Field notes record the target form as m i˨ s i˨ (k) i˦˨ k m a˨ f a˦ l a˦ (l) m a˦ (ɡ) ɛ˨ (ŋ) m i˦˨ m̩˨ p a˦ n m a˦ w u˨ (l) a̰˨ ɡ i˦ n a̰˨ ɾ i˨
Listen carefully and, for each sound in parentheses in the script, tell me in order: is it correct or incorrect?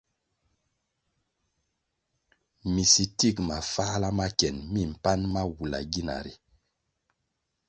incorrect, incorrect, incorrect, incorrect, correct

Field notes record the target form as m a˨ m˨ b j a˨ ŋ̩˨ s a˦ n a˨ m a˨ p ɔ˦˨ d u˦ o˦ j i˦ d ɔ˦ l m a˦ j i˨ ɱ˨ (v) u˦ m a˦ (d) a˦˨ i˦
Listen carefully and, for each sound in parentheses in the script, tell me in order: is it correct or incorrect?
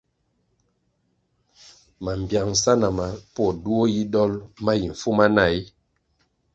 incorrect, incorrect

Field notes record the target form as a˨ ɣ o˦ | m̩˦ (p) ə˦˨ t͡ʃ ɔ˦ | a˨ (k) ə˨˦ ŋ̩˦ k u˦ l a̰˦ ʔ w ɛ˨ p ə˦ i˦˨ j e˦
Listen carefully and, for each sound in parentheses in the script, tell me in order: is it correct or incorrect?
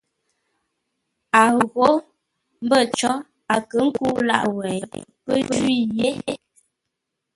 incorrect, correct

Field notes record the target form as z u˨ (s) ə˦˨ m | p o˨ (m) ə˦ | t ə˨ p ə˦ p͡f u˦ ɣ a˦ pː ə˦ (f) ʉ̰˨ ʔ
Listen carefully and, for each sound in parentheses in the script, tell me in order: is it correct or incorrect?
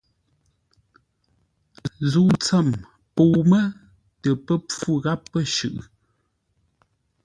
incorrect, correct, incorrect

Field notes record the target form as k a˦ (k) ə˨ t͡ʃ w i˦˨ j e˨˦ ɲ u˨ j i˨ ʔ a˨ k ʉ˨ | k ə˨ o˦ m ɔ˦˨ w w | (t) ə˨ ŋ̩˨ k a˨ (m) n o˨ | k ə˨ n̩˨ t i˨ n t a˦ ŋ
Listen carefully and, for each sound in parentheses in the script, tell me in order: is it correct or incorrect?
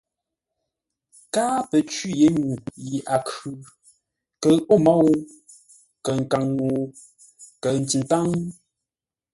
incorrect, incorrect, incorrect

